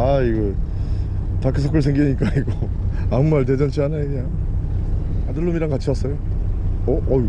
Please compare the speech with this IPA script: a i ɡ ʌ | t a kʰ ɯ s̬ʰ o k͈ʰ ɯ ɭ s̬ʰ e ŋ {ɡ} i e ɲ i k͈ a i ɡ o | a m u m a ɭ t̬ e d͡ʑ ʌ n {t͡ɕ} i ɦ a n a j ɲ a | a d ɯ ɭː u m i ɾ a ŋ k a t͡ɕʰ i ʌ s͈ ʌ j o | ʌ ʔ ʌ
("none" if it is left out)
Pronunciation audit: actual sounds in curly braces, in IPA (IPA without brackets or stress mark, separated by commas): ɡ, t͡ɕʰ